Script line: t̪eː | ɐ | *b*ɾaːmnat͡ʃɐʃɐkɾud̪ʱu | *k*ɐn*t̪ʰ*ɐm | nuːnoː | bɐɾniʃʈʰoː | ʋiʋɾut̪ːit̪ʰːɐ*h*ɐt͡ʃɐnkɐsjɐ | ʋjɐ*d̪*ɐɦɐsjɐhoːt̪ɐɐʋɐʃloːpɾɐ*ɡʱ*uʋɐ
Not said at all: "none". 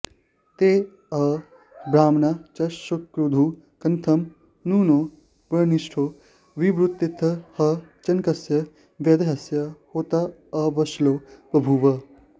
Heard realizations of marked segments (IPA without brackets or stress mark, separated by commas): b, k, t̪ʰ, h, d̪, bʱ